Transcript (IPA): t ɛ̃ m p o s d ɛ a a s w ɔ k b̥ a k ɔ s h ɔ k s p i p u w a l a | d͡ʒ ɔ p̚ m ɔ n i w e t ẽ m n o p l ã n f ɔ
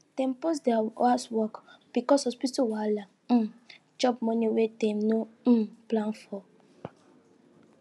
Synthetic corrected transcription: t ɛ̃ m p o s d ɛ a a s w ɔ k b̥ i k ɔ s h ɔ s p i t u w a l a | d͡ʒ ɔ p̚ m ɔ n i w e t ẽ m n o p l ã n f ɔ